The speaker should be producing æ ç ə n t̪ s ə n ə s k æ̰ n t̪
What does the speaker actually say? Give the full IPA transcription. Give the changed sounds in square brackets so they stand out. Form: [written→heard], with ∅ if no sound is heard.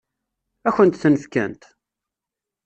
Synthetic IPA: æ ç ə n t̪ [s→θ] ə n ə [s→f] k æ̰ n t̪